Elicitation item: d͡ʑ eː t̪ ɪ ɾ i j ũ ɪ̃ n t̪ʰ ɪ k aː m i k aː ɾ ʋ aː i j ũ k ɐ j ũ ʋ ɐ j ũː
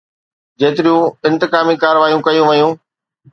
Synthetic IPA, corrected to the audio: d͡ʑ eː t̪ ɪ ɾ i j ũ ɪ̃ n t̪ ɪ k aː m i k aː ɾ ʋ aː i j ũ k ɐ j ũ ʋ ɐ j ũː